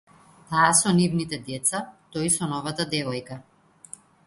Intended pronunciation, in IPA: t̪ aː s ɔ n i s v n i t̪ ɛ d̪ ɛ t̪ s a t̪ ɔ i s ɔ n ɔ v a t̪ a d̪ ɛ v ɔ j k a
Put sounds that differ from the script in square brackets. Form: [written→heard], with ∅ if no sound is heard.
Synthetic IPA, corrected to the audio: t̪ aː s ɔ n i [s→∅] v n i t̪ ɛ d̪ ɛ t̪ s a t̪ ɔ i s ɔ n ɔ v a t̪ a d̪ ɛ v ɔ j k a